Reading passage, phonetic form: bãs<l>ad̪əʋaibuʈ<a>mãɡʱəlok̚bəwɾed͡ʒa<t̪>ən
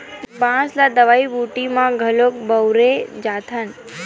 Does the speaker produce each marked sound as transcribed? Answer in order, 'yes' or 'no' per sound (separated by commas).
yes, no, no